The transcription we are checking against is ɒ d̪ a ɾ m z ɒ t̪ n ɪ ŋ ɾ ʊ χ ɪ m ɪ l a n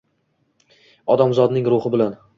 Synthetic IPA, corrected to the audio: ɒ d̪ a m z ɒ d̪ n ɪ ŋ ɾ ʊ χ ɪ b ɪ l a n